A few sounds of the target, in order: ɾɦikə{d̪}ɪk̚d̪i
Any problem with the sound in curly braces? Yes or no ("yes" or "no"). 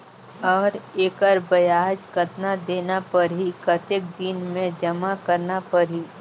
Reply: yes